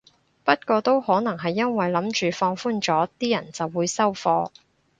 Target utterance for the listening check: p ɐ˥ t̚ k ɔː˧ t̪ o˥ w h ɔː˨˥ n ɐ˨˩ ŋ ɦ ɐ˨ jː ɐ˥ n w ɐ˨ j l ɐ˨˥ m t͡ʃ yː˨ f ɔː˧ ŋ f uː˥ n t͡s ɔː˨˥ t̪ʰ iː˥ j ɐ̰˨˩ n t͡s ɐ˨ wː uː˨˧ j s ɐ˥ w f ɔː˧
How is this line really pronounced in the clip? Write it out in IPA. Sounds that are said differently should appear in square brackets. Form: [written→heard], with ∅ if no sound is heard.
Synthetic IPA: p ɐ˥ t̚ k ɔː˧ t̪ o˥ w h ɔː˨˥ n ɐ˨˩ ŋ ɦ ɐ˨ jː ɐ˥ n w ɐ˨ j l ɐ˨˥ m t͡ʃ yː˨ f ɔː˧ ŋ f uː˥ n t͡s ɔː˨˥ [t̪ʰ→t̪] iː˥ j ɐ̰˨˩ n t͡s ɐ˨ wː uː˨˧ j s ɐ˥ w f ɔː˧